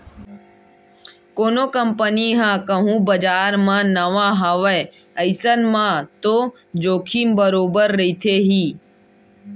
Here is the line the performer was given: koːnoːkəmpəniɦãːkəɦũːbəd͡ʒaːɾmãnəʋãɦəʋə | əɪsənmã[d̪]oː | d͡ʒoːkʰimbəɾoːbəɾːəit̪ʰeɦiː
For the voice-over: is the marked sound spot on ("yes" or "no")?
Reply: no